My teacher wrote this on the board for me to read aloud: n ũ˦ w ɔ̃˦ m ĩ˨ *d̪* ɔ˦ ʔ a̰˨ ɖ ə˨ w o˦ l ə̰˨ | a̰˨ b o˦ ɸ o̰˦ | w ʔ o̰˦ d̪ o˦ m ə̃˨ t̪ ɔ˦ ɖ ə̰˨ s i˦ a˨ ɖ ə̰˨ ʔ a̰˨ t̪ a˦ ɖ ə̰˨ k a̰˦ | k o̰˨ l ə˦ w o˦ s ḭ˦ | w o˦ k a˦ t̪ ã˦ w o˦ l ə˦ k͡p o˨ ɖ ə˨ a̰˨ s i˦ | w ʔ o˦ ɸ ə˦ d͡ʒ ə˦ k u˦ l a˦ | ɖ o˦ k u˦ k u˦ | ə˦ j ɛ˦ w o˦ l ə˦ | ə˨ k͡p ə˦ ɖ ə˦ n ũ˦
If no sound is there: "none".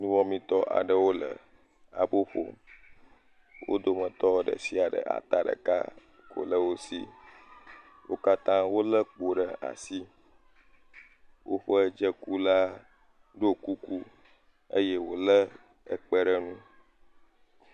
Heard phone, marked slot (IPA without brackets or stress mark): t̪